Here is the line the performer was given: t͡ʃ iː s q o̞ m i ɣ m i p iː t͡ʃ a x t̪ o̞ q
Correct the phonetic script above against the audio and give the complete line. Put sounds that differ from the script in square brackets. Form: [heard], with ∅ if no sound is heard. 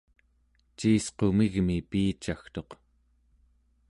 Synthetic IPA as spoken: t͡ʃ iː s q o̞ m i ɣ m i p iː t͡ʃ a x t̪ o̞ q